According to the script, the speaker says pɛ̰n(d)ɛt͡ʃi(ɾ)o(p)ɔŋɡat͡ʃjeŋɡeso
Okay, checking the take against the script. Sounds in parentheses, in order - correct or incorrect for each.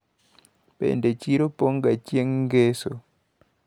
correct, correct, correct

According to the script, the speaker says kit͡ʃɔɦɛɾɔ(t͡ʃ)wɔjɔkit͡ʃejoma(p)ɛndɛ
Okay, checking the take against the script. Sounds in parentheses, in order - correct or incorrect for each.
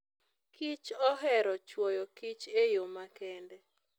correct, incorrect: k

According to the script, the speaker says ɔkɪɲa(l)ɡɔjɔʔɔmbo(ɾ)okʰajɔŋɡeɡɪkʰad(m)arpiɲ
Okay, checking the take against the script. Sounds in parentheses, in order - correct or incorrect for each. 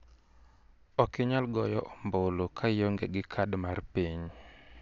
correct, incorrect: l, correct

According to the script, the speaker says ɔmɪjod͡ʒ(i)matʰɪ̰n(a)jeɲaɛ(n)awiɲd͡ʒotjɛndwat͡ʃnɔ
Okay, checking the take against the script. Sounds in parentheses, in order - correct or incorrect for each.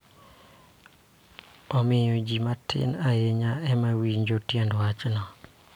correct, correct, incorrect: m

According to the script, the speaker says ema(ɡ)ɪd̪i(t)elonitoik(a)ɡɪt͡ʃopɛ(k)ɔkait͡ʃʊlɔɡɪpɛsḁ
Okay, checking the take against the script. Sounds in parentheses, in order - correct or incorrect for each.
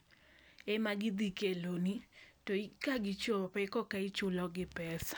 correct, incorrect: k, correct, correct

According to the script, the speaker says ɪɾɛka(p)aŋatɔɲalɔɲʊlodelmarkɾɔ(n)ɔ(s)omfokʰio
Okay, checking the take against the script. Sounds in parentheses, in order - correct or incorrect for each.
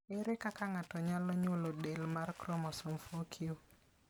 incorrect: k, incorrect: m, correct

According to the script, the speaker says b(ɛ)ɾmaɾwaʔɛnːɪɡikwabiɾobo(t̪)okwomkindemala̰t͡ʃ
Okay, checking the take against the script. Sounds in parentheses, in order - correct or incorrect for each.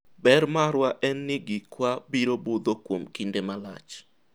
correct, incorrect: d̪

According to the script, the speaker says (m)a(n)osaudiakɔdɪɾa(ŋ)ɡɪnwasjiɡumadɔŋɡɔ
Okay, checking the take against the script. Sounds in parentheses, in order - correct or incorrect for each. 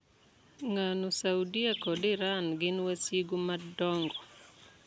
incorrect: ŋ, correct, incorrect: n

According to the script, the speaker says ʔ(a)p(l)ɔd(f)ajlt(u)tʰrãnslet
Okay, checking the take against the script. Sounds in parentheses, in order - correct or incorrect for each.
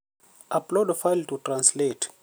correct, correct, correct, correct

